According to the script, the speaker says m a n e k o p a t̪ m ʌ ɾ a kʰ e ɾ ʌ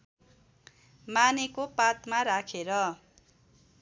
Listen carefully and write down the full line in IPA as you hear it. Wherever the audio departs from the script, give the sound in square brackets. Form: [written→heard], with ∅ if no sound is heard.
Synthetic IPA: m a n e k o p a t̪ m [ʌ→a] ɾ a kʰ e ɾ ʌ